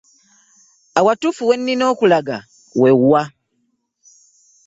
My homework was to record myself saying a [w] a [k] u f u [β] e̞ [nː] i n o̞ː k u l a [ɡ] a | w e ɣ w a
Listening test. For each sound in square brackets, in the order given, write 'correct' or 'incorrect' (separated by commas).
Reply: correct, incorrect, incorrect, correct, correct